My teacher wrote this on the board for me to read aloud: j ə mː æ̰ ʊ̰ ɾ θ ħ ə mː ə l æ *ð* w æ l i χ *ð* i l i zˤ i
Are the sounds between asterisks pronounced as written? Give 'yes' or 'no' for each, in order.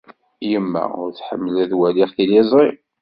yes, no

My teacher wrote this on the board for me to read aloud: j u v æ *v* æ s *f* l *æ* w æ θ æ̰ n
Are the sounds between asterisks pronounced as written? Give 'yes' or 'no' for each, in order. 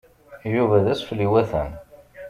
no, yes, no

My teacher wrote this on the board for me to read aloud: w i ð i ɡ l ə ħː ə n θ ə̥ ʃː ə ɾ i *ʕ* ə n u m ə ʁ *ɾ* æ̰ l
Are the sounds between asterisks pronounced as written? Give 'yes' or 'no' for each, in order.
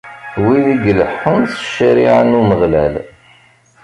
yes, no

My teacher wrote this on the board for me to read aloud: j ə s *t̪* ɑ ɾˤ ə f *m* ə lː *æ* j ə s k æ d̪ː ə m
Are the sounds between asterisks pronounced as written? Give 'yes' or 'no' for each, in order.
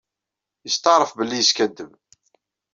yes, no, no

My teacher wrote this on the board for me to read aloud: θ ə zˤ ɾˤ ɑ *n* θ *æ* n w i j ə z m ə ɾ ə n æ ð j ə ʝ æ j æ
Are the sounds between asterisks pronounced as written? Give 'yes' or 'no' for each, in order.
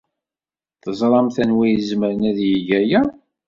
no, yes

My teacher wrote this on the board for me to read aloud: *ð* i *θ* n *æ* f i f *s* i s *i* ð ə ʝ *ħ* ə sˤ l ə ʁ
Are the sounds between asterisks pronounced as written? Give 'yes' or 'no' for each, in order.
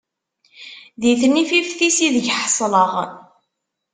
yes, yes, no, no, yes, yes

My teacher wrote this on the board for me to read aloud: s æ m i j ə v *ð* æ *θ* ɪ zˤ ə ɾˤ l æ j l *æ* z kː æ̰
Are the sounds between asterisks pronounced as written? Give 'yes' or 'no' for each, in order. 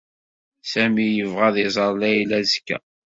no, no, yes

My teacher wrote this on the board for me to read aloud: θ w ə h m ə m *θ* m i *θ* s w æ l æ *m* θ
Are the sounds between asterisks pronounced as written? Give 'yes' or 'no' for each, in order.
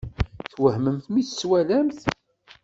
yes, yes, yes

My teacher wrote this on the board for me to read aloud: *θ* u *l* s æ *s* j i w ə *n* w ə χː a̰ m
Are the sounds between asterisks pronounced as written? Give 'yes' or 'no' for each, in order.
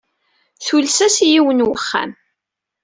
yes, yes, yes, yes

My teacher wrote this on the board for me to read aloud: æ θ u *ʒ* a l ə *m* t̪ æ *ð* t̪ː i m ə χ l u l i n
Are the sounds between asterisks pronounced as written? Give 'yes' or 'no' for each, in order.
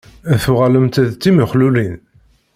no, yes, yes

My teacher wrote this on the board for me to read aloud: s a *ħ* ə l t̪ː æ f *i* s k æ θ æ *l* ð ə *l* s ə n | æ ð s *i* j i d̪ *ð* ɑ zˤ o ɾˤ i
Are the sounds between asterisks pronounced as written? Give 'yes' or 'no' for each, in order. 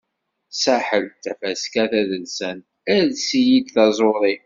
yes, no, no, yes, yes, no

